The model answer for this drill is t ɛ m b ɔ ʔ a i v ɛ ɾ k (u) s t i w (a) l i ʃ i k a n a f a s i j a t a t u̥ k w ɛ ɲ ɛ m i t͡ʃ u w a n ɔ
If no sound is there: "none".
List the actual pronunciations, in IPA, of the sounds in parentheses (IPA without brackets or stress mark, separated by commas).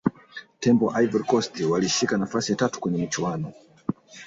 ɔ, a